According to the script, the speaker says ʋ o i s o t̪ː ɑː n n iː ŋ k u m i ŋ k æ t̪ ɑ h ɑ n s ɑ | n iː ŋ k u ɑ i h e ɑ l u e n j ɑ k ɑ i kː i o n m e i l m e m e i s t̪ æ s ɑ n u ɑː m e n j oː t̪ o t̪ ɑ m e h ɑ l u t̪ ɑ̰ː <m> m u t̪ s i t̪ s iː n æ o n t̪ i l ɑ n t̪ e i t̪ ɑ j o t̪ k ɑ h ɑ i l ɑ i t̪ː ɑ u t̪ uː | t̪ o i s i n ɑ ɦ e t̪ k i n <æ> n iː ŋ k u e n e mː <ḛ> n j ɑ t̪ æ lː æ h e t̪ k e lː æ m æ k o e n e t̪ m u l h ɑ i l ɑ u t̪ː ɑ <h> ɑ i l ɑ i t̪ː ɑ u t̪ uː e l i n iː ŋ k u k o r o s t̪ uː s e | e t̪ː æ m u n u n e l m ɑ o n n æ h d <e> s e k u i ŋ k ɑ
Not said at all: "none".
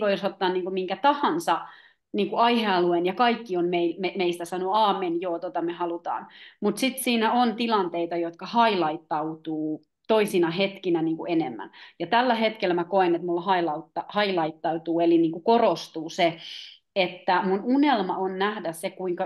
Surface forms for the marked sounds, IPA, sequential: n, æ, æ̰, h, æ

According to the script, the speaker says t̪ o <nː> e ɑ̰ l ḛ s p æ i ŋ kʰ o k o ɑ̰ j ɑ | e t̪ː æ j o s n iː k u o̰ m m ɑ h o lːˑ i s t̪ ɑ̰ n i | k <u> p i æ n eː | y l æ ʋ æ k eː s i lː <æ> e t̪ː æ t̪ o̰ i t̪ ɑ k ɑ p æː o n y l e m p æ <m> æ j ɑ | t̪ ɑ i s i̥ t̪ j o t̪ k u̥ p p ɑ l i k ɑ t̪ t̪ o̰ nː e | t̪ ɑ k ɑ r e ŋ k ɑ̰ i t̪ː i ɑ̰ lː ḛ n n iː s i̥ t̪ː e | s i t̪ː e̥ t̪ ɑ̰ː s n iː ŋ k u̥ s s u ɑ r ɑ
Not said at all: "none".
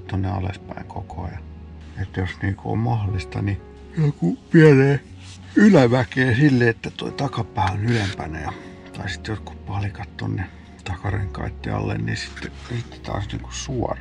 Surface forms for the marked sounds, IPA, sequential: nː, u, e, n

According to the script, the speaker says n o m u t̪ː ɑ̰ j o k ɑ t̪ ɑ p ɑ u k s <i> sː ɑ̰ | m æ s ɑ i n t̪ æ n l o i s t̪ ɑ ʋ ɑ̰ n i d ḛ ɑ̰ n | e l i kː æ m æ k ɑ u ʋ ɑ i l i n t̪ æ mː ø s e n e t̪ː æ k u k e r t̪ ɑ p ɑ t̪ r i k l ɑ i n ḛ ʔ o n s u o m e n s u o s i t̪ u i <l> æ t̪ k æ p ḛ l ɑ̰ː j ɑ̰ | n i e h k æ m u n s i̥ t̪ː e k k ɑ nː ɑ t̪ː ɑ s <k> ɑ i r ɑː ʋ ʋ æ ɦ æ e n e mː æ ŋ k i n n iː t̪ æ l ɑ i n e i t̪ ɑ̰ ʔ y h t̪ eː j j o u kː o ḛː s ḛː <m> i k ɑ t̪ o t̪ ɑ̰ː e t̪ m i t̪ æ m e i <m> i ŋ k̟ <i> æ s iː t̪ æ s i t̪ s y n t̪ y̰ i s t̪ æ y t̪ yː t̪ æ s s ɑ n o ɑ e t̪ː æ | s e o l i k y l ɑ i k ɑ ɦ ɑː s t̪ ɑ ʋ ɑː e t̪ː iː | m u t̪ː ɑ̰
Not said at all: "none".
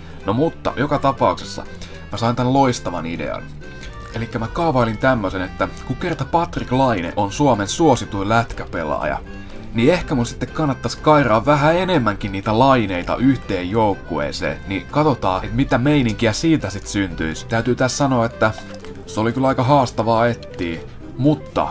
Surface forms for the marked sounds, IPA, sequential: e, l, k, n, n, i

